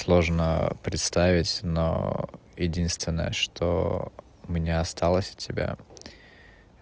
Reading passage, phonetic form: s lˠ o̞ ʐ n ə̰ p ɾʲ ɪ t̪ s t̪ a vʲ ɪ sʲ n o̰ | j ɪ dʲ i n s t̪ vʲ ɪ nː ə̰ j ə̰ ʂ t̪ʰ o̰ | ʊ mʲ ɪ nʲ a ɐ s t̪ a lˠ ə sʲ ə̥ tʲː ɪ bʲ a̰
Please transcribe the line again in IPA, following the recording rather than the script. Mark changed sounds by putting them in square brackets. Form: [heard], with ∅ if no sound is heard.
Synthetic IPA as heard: s lˠ o̞ ʐ n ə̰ p ɾʲ ɪ t̪ s t̪ a vʲ ɪ [tʲ] n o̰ | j ɪ dʲ i n s t̪ vʲ ɪ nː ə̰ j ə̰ ʂ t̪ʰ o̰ | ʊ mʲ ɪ nʲ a ɐ s t̪ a lˠ ə sʲ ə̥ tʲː ɪ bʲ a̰